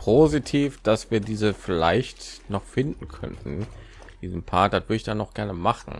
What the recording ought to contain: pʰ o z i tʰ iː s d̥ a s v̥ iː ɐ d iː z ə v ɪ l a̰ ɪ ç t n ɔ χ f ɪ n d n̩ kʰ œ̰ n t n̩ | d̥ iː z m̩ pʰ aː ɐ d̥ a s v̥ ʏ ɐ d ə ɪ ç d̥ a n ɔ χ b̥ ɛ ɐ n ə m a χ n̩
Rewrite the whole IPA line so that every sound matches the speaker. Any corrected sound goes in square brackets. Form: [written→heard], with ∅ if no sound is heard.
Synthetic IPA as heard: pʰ o z i tʰ iː [s→f] d̥ a s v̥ iː ɐ d iː z ə [v→f] ɪ l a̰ ɪ ç t n ɔ χ f ɪ n d n̩ kʰ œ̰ n t n̩ | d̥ iː z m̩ pʰ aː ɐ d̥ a [s→t] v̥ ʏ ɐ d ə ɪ ç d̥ a n ɔ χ [b̥→ɡ̥] ɛ ɐ n ə m a χ n̩